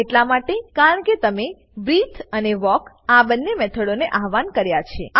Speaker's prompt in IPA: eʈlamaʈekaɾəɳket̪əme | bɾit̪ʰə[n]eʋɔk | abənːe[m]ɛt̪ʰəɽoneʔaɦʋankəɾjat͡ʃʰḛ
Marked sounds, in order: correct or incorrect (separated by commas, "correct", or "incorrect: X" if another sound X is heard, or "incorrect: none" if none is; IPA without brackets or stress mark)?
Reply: correct, correct